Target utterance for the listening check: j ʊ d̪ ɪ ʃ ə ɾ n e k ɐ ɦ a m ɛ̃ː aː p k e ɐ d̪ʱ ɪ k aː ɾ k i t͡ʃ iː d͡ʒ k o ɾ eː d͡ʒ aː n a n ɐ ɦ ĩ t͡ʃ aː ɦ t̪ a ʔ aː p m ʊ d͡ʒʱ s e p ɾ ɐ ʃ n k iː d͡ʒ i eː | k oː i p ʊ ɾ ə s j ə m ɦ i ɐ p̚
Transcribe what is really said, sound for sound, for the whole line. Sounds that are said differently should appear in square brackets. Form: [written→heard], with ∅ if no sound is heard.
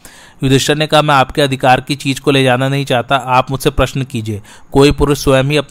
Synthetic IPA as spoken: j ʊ d̪ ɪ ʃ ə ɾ n e k ɐ ɦ a m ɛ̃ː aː p k e ɐ d̪ʱ ɪ k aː ɾ k i t͡ʃ iː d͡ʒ k o [ɾ→l] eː d͡ʒ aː n a n ɐ ɦ ĩ t͡ʃ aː ɦ t̪ a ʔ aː p m ʊ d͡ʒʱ s e p ɾ ɐ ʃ n k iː d͡ʒ i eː | k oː i p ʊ ɾ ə s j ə m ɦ i ɐ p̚